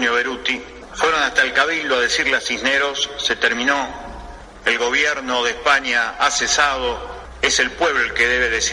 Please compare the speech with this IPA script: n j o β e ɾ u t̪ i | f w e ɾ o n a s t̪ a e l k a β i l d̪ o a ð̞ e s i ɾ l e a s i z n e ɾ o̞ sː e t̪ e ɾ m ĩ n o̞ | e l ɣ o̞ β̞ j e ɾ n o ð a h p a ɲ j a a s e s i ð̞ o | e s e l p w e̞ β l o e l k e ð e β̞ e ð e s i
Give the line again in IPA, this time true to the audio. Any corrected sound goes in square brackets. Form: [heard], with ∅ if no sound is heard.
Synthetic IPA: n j o β e ɾ u t̪ i | f w e ɾ o n a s t̪ a e l k a β i l d̪ o a ð̞ e s i ɾ l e a s i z n e ɾ o̞ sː e t̪ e ɾ m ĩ n o̞ | e l ɣ o̞ β̞ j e ɾ n o ð [e] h p a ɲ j a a s e s [a] ð̞ o | e s e l p w e̞ β l o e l k e ð e β̞ e ð e s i